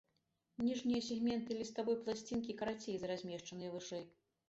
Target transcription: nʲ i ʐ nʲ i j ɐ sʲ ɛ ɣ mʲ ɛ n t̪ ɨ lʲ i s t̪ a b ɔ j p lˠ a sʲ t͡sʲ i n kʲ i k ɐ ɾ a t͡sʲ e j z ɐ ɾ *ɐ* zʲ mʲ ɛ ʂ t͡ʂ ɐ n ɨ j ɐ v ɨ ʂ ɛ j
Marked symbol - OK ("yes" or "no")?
no